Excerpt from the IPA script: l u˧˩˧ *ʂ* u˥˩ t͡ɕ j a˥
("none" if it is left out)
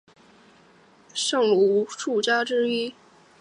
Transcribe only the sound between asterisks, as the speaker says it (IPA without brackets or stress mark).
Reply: ʂ